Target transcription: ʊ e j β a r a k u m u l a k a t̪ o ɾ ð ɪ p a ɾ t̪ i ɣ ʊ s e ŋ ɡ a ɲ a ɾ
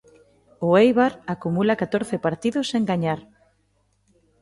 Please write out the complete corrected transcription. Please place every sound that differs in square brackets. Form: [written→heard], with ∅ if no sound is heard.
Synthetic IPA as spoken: ʊ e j β a [r→ɾ] a k u m u l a k a t̪ o ɾ [ð→θ] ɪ p a ɾ t̪ i [ɣ→ð] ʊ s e ŋ ɡ a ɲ a ɾ